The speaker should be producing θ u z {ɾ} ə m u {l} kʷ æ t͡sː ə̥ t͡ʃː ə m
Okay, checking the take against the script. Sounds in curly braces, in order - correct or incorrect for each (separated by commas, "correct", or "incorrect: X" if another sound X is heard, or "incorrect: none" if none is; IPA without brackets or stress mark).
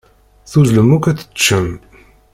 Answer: incorrect: l, incorrect: none